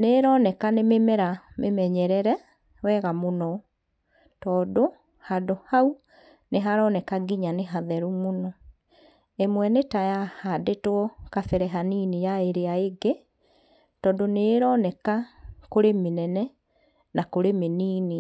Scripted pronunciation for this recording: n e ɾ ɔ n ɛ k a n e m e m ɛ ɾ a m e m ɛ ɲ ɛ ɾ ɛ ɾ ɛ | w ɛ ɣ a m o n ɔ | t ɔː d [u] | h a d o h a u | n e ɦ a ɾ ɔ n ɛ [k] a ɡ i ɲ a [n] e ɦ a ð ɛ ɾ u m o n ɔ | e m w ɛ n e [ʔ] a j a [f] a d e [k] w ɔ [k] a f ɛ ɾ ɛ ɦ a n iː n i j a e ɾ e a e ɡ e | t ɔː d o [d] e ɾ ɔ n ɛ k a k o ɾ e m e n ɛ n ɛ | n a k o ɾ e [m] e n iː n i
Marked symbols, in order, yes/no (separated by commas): no, yes, yes, no, no, no, yes, no, yes